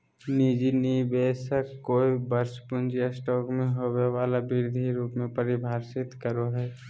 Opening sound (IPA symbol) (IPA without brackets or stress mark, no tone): n